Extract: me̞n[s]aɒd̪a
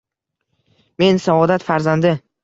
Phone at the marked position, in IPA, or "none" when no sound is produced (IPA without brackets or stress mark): s